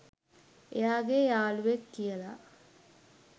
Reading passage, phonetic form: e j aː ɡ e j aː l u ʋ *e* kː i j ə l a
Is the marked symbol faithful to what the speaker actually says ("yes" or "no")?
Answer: yes